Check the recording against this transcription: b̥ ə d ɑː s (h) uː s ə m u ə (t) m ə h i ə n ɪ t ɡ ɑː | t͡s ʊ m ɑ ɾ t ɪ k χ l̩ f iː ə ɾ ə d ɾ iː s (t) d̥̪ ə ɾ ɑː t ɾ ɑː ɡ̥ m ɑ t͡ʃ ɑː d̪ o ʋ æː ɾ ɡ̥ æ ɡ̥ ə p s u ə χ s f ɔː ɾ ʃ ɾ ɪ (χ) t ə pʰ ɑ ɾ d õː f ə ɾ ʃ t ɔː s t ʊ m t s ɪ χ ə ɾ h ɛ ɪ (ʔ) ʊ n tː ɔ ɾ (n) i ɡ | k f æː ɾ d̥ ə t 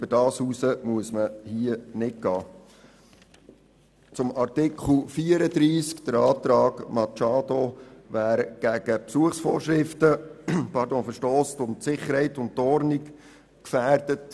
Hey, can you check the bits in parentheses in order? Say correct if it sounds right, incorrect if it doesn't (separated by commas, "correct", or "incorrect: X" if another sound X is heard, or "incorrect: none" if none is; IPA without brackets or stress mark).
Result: correct, incorrect: s, incorrect: k, incorrect: f, incorrect: t, correct